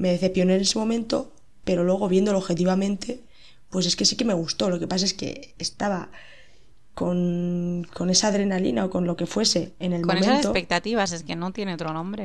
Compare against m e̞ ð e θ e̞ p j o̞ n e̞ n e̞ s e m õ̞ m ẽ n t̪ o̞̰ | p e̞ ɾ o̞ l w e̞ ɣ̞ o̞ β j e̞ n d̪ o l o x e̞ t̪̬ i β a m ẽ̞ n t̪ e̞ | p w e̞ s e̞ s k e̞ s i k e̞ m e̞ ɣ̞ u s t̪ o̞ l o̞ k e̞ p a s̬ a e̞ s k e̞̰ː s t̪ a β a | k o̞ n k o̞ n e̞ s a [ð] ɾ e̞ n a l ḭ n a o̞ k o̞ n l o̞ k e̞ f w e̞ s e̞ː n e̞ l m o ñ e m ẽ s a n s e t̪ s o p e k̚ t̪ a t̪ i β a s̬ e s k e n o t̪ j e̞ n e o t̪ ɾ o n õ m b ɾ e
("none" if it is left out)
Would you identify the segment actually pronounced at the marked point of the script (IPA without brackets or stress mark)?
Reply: ð